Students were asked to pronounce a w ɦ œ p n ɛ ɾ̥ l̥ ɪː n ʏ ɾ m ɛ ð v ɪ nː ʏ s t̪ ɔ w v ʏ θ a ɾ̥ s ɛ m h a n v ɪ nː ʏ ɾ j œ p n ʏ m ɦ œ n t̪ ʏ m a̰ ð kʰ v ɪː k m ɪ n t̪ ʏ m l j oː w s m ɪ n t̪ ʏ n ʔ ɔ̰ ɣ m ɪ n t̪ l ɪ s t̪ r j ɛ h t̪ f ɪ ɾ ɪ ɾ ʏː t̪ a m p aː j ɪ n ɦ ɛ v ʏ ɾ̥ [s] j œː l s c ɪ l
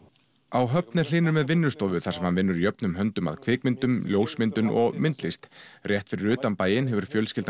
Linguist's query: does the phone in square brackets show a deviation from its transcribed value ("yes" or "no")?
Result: yes